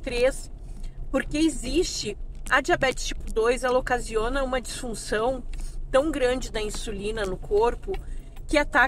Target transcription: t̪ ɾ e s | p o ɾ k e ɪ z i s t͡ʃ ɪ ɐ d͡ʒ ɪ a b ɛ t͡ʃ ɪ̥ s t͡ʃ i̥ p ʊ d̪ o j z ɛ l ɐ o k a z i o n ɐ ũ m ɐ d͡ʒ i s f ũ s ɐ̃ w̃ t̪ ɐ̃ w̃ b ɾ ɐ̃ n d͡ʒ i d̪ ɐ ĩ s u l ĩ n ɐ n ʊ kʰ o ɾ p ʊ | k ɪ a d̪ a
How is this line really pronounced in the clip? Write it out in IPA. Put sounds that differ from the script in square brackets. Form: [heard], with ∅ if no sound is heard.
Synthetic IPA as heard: t̪ ɾ e s | p o ɾ k e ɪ z i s t͡ʃ ɪ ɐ d͡ʒ [i] a b ɛ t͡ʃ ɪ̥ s t͡ʃ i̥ p ʊ d̪ o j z ɛ l ɐ o k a z i o n ɐ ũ m ɐ d͡ʒ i s f ũ s ɐ̃ w̃ t̪ ɐ̃ w̃ [ɡ] ɾ ɐ̃ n d͡ʒ [ɪ] d̪ ɐ ĩ s u l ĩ n ɐ n ʊ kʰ o ɾ p ʊ | k ɪ a [t̪] a